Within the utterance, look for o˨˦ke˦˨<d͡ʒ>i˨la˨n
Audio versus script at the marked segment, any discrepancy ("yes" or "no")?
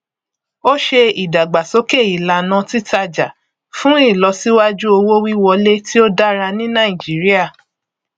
yes